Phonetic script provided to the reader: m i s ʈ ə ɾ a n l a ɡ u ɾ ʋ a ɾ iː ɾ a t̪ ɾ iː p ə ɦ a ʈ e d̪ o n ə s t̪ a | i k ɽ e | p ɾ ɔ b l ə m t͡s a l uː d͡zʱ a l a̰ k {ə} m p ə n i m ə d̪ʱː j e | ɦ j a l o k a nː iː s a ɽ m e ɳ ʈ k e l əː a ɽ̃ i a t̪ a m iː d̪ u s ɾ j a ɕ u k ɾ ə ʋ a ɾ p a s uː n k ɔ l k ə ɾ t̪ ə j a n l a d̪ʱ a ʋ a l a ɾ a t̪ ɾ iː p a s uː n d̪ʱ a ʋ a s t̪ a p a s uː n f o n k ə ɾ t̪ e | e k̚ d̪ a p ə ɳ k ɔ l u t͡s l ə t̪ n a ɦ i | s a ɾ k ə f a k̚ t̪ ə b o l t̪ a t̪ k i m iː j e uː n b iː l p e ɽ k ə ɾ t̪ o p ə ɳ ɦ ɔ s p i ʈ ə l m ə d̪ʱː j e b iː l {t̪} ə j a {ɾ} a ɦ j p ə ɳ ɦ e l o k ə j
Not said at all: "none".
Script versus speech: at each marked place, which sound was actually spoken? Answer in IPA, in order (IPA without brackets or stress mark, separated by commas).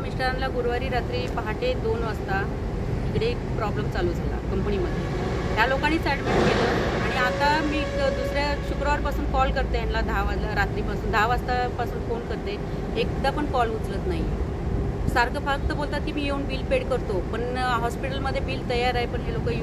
ə, t̪, ɾ